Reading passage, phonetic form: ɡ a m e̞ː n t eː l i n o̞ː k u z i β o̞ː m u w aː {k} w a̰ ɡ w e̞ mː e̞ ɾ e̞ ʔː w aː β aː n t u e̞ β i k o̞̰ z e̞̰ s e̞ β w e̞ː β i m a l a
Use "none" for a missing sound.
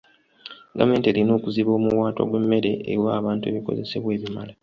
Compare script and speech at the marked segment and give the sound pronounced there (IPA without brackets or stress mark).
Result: t